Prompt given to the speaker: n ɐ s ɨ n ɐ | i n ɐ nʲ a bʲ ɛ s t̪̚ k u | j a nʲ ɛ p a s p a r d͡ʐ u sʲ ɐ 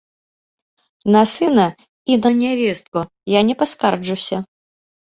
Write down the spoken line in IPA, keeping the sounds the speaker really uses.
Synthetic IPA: n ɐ s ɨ n ɐ | i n ɐ nʲ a vʲ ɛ s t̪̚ k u | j a nʲ ɛ p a s k a r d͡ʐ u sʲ ɐ